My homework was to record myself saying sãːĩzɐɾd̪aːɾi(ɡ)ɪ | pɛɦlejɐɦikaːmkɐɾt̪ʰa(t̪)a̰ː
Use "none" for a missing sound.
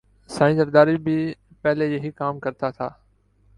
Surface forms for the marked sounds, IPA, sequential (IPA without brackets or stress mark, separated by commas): b, t̪ʰ